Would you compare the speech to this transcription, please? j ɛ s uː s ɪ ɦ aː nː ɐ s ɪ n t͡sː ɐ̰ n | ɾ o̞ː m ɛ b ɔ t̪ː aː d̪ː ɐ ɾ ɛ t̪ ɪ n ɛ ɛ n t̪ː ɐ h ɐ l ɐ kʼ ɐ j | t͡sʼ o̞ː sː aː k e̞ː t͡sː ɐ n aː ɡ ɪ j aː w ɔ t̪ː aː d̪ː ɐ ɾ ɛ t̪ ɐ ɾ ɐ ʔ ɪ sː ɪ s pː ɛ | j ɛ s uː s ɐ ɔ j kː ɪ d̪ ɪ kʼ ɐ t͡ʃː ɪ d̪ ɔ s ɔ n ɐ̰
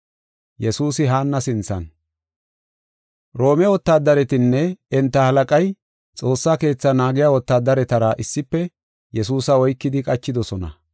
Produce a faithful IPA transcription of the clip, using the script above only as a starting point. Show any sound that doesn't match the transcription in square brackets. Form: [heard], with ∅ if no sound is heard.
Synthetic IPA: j ɛ s uː s ɪ ɦ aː nː ɐ s ɪ n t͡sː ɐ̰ n | ɾ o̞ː m ɛ [w] ɔ t̪ː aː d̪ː ɐ ɾ ɛ t̪ ɪ [nː] ɛ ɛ n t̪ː ɐ h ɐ l ɐ kʼ ɐ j | t͡sʼ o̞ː sː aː k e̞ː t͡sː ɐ n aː ɡ ɪ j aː w ɔ t̪ː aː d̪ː ɐ ɾ ɛ t̪ ɐ ɾ ɐ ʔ ɪ sː ɪ [∅] pː ɛ | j ɛ s uː s ɐ ɔ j kː ɪ d̪ ɪ kʼ ɐ t͡ʃː ɪ d̪ ɔ s ɔ n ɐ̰